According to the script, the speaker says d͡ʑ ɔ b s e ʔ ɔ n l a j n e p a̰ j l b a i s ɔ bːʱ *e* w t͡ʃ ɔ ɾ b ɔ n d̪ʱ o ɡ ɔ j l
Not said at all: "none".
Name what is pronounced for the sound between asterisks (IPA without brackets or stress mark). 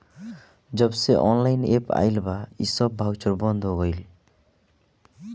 a